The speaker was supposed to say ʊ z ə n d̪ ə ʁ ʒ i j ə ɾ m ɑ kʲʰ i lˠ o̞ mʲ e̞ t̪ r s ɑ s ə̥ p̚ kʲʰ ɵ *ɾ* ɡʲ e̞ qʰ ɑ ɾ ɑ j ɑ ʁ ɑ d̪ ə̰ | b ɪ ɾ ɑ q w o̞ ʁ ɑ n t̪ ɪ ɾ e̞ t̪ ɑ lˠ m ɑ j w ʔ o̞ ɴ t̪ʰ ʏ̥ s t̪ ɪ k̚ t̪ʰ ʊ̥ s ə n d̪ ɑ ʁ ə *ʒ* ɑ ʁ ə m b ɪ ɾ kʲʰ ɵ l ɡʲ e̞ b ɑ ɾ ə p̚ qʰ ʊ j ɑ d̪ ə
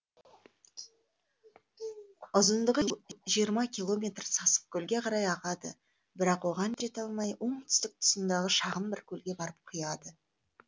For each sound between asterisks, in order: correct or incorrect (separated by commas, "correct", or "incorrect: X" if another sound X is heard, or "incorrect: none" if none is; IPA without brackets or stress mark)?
incorrect: l, incorrect: ʃ